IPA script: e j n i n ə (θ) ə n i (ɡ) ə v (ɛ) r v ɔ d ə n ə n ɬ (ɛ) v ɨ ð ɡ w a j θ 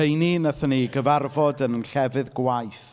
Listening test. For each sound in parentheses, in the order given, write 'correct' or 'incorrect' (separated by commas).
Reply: correct, correct, incorrect, correct